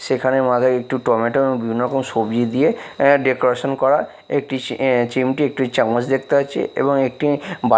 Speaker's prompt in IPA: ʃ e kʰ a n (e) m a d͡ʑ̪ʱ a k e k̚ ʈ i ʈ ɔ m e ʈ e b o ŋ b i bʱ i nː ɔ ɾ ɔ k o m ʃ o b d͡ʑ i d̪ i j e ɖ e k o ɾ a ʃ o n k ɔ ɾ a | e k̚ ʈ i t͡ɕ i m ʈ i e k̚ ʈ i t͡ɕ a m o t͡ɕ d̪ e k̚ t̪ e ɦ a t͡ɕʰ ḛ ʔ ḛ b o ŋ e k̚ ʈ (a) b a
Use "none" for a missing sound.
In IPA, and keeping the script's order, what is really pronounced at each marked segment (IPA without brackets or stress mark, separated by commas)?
e, i